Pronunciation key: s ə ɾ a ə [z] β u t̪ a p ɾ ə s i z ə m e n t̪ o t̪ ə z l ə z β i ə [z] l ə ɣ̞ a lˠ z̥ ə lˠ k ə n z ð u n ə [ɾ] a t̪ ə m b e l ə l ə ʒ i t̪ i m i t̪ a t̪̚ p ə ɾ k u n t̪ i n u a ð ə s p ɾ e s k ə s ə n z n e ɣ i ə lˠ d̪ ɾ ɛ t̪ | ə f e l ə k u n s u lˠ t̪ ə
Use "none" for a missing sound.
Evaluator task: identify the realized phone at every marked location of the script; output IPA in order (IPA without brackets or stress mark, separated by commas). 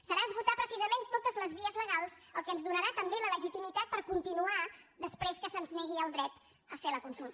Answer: z, z, ɾ